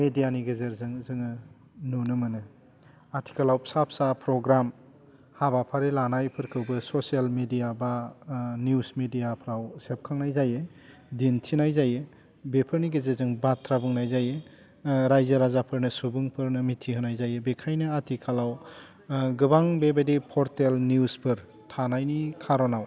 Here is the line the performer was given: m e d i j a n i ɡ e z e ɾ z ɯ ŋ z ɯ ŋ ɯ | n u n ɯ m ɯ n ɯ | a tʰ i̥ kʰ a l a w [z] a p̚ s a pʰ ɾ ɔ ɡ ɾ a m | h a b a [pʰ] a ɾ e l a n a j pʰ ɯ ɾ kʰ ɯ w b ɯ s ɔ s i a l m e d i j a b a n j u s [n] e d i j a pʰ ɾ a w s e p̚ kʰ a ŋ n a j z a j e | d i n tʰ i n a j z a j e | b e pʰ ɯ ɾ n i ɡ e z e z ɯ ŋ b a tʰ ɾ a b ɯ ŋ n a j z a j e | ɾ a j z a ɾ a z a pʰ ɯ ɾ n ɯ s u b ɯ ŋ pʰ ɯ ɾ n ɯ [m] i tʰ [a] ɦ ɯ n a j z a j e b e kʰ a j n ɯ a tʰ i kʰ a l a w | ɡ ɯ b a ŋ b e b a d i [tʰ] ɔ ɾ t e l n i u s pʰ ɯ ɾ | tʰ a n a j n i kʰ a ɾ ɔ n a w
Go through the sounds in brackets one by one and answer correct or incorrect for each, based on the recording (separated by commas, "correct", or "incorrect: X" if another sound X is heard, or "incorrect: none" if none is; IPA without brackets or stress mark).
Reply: incorrect: s, correct, incorrect: m, correct, incorrect: i, incorrect: pʰ